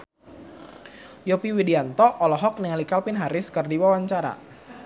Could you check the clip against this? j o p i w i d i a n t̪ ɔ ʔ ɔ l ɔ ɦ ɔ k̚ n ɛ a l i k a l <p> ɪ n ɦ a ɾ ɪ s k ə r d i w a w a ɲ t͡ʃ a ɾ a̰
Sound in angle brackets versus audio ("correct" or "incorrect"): correct